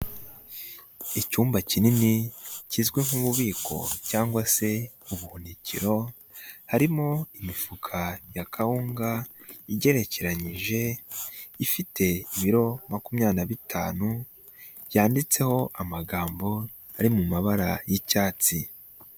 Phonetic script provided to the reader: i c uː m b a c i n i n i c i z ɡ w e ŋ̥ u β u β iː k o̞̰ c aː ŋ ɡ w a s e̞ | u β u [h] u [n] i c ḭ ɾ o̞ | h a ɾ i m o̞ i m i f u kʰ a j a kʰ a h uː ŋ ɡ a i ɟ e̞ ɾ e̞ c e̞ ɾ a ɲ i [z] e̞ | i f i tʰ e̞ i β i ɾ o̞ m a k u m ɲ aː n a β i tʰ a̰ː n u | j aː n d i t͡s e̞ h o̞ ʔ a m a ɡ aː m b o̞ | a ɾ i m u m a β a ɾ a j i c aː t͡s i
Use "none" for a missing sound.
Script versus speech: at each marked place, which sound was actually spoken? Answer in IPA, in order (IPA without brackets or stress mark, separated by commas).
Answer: h, n, ʒ